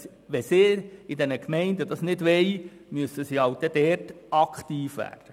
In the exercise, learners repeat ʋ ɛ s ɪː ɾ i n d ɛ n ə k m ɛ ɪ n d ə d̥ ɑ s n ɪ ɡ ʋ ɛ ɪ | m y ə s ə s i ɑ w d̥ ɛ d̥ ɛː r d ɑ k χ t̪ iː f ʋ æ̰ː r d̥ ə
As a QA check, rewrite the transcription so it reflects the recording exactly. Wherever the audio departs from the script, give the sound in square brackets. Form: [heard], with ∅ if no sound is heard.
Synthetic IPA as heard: ʋ ɛ s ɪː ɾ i [∅] d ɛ n ə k m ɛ ɪ n d ə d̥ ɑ s n ɪ [d] ʋ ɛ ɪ | m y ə s ə s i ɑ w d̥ ɛ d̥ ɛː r [t] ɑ k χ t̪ iː f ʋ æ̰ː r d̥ ə

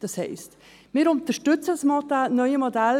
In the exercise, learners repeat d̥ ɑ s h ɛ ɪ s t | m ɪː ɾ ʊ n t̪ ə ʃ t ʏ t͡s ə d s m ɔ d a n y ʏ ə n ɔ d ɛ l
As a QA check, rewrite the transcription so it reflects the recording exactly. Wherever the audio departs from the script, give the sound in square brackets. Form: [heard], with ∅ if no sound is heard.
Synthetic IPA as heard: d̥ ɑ s h ɛ ɪ s t | m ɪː ɾ ʊ n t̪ ə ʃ t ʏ t͡s ə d s m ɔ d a n [œ] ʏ ə [m] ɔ d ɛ l

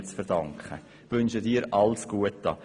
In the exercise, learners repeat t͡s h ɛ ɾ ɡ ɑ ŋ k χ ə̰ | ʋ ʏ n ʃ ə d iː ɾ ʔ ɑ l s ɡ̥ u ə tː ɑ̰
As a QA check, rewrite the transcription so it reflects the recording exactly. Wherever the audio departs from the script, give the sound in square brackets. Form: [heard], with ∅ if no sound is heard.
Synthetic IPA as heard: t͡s [f] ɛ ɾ [d] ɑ ŋ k χ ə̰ | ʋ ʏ n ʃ ə d iː ɾ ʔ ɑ l s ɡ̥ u ə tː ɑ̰

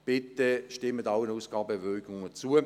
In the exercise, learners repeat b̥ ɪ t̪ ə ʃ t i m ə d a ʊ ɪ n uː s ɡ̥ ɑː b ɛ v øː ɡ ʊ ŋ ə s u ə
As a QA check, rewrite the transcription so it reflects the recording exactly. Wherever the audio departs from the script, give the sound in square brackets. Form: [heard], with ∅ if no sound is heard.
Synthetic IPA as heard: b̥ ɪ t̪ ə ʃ t [ɪ] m ə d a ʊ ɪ n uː s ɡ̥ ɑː b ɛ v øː ɡ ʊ ŋ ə [t͡s] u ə

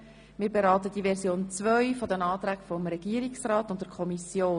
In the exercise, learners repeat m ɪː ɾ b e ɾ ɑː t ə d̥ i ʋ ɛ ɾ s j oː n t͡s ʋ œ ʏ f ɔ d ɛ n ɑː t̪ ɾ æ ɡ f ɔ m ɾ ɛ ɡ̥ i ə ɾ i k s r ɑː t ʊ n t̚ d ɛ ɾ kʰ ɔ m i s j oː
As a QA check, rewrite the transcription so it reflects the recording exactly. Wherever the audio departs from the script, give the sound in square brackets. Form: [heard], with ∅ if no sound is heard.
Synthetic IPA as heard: m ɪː ɾ b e ɾ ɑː t ə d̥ i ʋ ɛ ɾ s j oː n t͡s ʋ œ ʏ f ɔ d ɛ n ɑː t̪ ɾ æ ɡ f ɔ m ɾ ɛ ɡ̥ i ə ɾ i k s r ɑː t ʊ n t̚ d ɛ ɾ kʰ ɔ m i s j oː

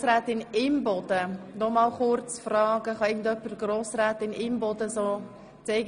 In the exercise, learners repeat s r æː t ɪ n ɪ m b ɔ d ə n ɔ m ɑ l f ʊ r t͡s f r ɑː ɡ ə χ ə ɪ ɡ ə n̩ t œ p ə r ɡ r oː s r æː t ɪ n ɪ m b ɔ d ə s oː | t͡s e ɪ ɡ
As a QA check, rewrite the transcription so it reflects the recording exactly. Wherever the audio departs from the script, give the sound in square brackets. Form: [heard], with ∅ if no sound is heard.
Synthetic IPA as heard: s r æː t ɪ n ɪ m b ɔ d ə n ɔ m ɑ l [χ] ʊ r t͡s f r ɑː ɡ ə χ [ɑ] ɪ ɡ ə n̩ t œ p ə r ɡ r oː s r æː t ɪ n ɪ m b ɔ d ə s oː | t͡s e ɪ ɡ

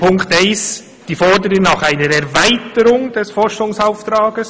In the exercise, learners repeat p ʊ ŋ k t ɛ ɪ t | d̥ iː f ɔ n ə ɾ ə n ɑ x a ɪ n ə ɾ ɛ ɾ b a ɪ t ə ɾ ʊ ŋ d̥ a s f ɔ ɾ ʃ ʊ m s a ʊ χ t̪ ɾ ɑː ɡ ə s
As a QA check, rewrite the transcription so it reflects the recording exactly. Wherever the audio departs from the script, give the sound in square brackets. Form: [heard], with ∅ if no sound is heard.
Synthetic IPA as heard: p ʊ ŋ k t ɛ ɪ [s] | d̥ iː f ɔ [d] ə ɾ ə n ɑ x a ɪ n ə ɾ ɛ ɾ [v] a ɪ t ə ɾ ʊ ŋ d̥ [ɛ] s f ɔ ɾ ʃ ʊ [ŋ] s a ʊ [f] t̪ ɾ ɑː ɡ ə s

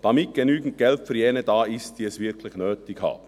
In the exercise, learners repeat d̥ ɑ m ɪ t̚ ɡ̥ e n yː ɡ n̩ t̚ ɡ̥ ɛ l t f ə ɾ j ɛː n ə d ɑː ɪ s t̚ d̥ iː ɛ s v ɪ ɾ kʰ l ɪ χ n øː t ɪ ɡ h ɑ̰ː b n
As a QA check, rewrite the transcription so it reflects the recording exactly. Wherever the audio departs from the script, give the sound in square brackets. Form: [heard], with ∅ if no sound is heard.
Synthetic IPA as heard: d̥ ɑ m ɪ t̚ ɡ̥ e n yː ɡ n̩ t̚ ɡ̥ ɛ l t f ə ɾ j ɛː n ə d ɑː ɪ s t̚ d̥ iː ɛ s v ɪ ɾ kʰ l ɪ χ n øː t ɪ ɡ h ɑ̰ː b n

